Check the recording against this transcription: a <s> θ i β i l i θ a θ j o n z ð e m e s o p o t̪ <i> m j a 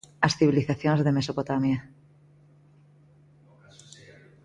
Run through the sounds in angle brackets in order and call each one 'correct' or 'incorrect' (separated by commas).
correct, incorrect